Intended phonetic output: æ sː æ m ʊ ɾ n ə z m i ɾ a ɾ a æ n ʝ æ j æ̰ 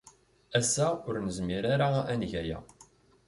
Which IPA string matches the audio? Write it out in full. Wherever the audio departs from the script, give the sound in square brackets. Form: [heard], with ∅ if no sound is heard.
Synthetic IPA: æ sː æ [∅] ʊ ɾ n ə z m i ɾ a ɾ a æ n ʝ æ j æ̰